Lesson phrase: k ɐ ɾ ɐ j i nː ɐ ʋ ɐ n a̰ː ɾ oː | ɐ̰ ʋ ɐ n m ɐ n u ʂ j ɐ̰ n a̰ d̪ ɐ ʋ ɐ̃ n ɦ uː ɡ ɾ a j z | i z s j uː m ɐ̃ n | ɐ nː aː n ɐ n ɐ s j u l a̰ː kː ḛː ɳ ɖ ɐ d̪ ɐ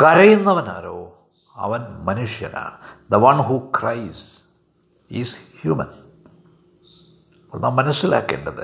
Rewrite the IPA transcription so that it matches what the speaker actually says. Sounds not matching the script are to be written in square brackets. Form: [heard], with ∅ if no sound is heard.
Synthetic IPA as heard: k ɐ ɾ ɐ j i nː ɐ ʋ ɐ n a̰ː ɾ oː | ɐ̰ ʋ ɐ n m ɐ n u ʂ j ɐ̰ n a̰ d̪ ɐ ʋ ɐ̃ n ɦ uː [k] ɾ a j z | i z [h] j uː m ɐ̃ n | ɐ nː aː [m] ɐ n ɐ s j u l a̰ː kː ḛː ɳ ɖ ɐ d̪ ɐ